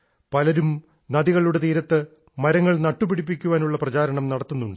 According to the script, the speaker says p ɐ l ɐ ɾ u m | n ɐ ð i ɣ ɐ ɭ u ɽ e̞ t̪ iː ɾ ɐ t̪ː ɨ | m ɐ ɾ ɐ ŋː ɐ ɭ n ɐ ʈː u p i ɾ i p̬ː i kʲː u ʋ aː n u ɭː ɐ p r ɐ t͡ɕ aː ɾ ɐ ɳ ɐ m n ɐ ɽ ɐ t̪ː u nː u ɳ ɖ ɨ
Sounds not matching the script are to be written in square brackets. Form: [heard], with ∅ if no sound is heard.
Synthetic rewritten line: p ɐ l ɐ ɾ u m | n ɐ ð i ɣ ɐ ɭ u ɽ e̞ t̪ iː ɾ ɐ t̪ː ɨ | m ɐ ɾ ɐ ŋː ɐ ɭ n ɐ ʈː u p i [ɽ] i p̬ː i kʲː u ʋ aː n u ɭː ɐ p r ɐ t͡ɕ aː ɾ ɐ ɳ ɐ m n ɐ ɽ ɐ t̪ː u nː u ɳ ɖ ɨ